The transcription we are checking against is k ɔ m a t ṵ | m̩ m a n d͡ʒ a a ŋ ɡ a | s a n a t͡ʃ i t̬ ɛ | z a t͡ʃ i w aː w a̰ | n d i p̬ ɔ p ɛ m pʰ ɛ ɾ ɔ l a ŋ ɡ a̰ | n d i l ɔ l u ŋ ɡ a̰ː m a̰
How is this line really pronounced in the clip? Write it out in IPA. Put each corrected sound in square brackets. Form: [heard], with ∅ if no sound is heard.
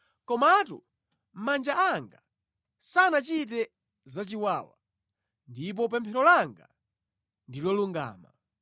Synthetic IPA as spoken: k ɔ m a t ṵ | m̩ m a n d͡ʒ a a ŋ ɡ a | s a n a t͡ʃ i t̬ ɛ | z a t͡ʃ i w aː w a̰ | n d i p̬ ɔ p ɛ m pʰ ɛ ɾ ɔ l a ŋ ɡ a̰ | n d i l ɔ l u ŋ ɡ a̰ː m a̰